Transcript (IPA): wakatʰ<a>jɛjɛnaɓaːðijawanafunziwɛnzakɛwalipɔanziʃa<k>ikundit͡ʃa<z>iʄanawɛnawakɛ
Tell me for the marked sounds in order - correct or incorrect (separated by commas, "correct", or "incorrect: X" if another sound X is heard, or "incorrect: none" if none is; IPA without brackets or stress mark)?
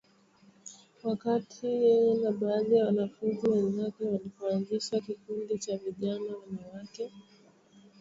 incorrect: i, correct, incorrect: v